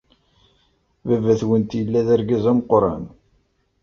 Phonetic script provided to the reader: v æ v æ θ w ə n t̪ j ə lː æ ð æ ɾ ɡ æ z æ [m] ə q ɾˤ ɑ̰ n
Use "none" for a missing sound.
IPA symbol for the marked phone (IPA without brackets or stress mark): m